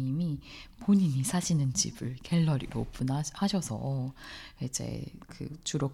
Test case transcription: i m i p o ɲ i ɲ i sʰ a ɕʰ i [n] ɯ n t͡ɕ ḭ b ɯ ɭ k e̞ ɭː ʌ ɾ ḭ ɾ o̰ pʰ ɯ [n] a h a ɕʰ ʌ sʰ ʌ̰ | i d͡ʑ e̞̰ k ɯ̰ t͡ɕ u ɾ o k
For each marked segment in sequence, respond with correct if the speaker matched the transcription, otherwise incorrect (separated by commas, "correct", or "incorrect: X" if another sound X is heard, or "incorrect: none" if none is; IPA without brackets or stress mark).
correct, correct